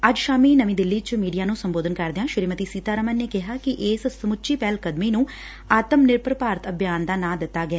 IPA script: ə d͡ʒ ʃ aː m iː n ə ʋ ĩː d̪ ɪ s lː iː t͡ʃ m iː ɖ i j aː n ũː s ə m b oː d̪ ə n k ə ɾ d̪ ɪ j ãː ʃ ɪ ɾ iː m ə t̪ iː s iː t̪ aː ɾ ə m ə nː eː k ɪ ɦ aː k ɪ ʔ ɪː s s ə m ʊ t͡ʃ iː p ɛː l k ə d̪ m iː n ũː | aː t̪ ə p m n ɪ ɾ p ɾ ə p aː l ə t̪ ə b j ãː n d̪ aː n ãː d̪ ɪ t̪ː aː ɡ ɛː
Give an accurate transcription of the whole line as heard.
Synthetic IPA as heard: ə d͡ʒ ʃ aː m iː n ə ʋ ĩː d̪ ɪ lː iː t͡ʃ m iː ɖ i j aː n ũː s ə m b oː d̪ ə n k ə ɾ d̪ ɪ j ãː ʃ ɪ ɾ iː m ə t̪ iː s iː t̪ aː ɾ ə m ə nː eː k ɪ ɦ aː k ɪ ʔ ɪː s s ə m ʊ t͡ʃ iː p ɛː l k ə d̪ m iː n ũː | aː t̪ ə m n ɪ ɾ p ɾ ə p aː ɾ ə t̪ ə b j aː n d̪ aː n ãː d̪ ɪ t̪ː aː ɡ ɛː

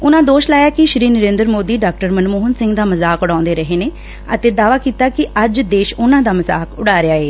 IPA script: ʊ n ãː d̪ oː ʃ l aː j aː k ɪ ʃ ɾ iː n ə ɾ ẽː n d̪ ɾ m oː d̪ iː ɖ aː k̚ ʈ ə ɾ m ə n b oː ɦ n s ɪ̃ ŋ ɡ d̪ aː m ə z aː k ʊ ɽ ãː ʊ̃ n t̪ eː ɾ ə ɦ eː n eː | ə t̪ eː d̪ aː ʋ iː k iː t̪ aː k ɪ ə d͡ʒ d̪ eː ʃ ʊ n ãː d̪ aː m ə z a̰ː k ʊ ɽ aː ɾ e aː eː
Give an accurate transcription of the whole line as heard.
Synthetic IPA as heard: ʊ n ãː d̪ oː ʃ l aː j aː k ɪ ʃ ɾ iː n ə ɾ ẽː n d̪ ɾ m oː d̪ iː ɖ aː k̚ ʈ ə ɾ m ə n m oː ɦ n s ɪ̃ ŋ ɡ d̪ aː m ə z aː k ʊ ɽ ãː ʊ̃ n d̪ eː ɾ ə ɦ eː n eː | ə t̪ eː d̪ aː ʋ aː k iː t̪ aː k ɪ ə d͡ʒ d̪ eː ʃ ʊ n ãː d̪ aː m ə z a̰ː k ʊ ɽ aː ɾ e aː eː

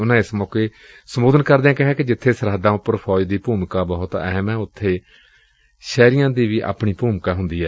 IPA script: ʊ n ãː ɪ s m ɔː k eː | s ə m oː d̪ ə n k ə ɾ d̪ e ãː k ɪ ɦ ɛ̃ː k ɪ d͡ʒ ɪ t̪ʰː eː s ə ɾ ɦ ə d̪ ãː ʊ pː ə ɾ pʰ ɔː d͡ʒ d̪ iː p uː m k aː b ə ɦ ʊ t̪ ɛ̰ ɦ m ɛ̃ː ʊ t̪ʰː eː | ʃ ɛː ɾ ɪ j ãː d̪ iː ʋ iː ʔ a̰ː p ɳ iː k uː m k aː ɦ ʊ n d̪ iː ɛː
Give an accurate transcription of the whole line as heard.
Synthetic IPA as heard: ʊ n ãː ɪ s m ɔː k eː | s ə m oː d̪ ə n k ə ɾ d̪ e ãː k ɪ ɦ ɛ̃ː k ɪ d͡ʒ ɪ t̪ʰː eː s ə ɾ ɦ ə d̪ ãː ʊ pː ə ɾ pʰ ɔː d͡ʒ d̪ iː p uː m k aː b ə ɦ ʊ t̪ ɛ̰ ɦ m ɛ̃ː ʊ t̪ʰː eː | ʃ ɛː ɾ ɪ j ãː d̪ iː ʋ iː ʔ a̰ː p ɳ iː p uː m k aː ɦ ʊ n d̪ iː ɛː

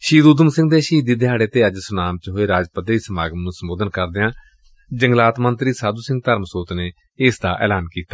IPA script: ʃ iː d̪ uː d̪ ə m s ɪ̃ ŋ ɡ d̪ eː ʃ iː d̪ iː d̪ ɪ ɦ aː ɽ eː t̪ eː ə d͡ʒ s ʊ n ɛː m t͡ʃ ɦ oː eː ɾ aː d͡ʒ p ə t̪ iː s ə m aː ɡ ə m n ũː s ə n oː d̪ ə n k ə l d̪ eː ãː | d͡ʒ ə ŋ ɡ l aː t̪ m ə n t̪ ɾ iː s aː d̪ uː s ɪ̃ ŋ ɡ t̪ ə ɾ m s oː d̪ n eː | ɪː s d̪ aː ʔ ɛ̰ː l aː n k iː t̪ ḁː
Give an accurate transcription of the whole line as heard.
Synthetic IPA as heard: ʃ iː d̪ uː d̪ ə m s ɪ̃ ŋ ɡ d̪ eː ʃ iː d̪ iː d̪ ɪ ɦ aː ɽ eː t̪ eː ə d͡ʒ s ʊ n aː m t͡ʃ ɦ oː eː ɾ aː d͡ʒ p ə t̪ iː s ə m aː ɡ ə m n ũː s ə m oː d̪ ə n k ə ɾ d̪ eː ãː | d͡ʒ ə ŋ ɡ l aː t̪ m ə n t̪ ɾ iː s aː d̪ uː s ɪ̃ ŋ ɡ t̪ ə ɾ m s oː t̪ n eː | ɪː s d̪ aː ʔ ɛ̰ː l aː n k iː t̪ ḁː

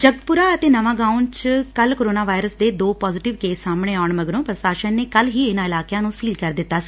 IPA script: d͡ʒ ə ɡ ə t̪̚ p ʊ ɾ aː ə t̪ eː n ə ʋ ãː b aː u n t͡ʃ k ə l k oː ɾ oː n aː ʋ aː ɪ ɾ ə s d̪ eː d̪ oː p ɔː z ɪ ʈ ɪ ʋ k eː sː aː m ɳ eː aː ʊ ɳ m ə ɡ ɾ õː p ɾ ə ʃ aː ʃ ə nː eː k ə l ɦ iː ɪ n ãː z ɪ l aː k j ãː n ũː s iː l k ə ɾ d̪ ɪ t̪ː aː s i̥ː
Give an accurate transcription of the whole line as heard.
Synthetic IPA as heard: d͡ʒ ə ɡ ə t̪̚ p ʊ ɾ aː ə t̪ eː n ə ʋ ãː ɡ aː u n t͡ʃ k ə l k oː ɾ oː n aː ʋ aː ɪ ɾ ə s d̪ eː d̪ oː p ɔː z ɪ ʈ ɪ ʋ k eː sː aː m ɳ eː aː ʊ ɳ m ə ɡ ɾ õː p ɾ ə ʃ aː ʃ ə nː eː k ə l ɦ iː ɪ n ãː ɪ l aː k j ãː n ũː s iː l k ə ɾ d̪ ɪ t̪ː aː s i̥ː

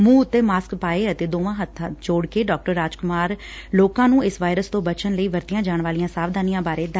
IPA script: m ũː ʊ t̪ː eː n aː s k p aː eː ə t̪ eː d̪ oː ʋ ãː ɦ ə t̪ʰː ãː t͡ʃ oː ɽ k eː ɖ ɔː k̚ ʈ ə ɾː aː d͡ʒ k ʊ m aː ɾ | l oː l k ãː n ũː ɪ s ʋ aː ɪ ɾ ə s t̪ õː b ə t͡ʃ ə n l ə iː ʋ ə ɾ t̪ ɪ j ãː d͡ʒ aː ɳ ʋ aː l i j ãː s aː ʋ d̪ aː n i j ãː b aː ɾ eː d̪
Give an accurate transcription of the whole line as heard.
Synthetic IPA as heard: m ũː ʊ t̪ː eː m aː s k p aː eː ə t̪ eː d̪ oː ʋ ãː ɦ ə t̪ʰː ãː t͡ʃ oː ɽ k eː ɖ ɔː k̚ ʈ ə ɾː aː d͡ʒ k ʊ m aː ɾ | l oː k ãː n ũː ɪ s ʋ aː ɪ ɾ ə s t̪ õː b ə t͡ʃ ə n l ə iː ʋ ə ɾ t̪ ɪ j ãː d͡ʒ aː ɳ ʋ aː l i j ãː s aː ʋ d̪ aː n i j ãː b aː ɾ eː d̪

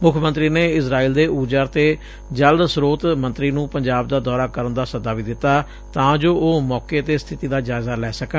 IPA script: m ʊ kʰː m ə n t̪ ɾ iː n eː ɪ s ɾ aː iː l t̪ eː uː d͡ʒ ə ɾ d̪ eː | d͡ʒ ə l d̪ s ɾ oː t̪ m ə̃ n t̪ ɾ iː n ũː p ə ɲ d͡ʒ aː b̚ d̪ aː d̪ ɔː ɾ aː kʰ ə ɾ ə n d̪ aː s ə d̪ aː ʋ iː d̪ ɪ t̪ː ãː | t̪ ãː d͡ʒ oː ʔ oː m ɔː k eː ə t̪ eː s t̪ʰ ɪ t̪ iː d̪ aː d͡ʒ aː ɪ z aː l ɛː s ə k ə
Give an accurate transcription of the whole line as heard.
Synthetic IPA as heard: m ʊ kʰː m ə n t̪ ɾ iː n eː ɪ s ɾ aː iː l d̪ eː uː d͡ʒ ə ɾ t̪ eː | d͡ʒ ə l d̪ s ɾ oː t̪ m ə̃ n t̪ ɾ iː n ũː p ə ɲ d͡ʒ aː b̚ d̪ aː d̪ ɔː ɾ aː k ə ɾ ə n d̪ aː s ə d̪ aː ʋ iː d̪ ɪ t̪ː aː | t̪ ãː d͡ʒ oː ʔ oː m ɔː k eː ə t̪ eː s t̪ʰ ɪ t̪ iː d̪ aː d͡ʒ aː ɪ z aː l ɛː s ə k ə

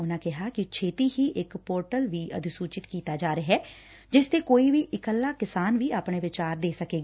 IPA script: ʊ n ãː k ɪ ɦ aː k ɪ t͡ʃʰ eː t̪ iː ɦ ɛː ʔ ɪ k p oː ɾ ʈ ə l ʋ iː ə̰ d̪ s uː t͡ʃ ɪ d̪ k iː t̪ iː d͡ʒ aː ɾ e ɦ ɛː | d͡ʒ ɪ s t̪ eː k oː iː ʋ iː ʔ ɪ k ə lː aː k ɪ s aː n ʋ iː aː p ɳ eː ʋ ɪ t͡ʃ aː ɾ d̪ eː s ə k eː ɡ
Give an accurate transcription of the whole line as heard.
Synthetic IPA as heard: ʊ n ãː k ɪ ɦ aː k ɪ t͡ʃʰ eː t̪ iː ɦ iː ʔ ɪ k p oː ɾ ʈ ə l ʋ iː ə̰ d̪ s uː t͡ʃ ɪ t̪ k iː t̪ aː d͡ʒ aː ɾ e ɦ ɛː | d͡ʒ ɪ s t̪ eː k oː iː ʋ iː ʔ ɪ k ə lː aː k ɪ s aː n ʋ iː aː p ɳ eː ʋ ɪ t͡ʃ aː ɾ d̪ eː s ə k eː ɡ

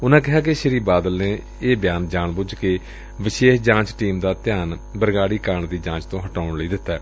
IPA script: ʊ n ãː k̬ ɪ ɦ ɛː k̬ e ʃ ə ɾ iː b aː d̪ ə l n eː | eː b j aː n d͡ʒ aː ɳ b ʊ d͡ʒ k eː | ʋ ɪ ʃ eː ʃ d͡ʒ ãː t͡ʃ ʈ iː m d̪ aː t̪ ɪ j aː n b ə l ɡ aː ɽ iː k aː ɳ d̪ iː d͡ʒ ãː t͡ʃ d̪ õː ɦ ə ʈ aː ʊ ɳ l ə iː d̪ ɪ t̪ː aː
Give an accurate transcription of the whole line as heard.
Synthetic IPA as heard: ʊ n ãː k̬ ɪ ɦ aː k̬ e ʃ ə ɾ iː b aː d̪ ə l n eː | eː b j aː n d͡ʒ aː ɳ b ʊ d͡ʒ k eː | ʋ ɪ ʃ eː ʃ d͡ʒ ãː t͡ʃ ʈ iː m d̪ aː t̪ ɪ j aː n b ə ɾ ɡ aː ɽ iː k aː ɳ d̪ iː d͡ʒ ãː t͡ʃ t̪ õː ɦ ə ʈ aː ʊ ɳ l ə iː d̪ ɪ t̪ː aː

